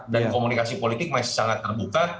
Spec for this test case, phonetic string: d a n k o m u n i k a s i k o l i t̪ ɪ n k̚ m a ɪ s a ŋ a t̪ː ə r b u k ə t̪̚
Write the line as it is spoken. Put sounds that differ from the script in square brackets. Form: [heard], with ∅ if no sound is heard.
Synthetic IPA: d a n k o m u n i k a s i [p] o l i t̪ ɪ [∅] k̚ m a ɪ s a ŋ a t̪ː ə r b u k [a] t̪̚